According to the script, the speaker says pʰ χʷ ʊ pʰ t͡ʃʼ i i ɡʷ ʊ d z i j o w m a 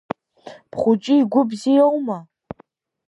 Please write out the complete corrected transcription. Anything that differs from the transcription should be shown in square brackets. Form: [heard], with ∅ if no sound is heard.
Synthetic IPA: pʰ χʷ ʊ [∅] t͡ʃʼ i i ɡʷ ʊ [b] z i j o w m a

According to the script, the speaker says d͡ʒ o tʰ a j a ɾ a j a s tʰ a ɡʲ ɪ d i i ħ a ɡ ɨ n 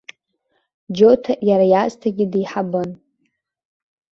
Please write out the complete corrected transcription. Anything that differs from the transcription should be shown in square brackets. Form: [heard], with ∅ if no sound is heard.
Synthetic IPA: d͡ʒ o tʰ a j a ɾ a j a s tʰ a ɡʲ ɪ d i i ħ a [b] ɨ n

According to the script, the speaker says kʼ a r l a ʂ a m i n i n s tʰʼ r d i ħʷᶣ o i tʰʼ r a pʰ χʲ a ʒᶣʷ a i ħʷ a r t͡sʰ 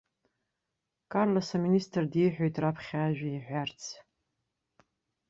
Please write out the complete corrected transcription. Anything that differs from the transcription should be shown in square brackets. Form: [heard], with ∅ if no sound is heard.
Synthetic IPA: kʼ a r l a [s] a m i n i [∅] s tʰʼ r d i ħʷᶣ o [j] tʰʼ r a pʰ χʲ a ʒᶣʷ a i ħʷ a r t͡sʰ

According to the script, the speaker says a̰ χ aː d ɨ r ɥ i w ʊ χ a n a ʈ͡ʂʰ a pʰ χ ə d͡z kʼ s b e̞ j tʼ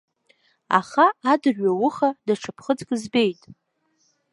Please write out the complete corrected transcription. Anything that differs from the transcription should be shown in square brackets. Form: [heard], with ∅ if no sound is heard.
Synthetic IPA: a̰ χ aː d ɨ r ɥ [a] w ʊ χ a [d] a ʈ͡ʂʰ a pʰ χ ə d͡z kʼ [z] b e̞ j tʼ

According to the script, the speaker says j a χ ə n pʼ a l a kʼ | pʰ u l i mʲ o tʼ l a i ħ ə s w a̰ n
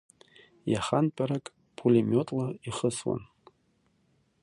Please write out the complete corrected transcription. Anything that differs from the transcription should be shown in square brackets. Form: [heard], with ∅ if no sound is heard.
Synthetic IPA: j a χ [a] n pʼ a [ɾ] a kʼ | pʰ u l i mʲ o tʼ l a i [χ] ə s w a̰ n

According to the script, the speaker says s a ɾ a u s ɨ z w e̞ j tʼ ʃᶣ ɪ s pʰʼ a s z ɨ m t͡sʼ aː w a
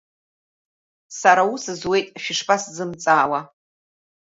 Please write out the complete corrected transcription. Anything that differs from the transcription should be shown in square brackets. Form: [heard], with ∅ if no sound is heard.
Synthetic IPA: s a ɾ a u s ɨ z w e̞ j tʼ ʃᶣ ɪ [ʂ] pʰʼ a s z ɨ m t͡sʼ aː w a

